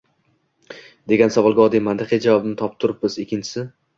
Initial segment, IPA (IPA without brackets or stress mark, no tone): d̪